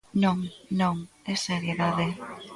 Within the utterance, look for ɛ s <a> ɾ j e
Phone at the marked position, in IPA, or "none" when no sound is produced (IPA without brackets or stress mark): e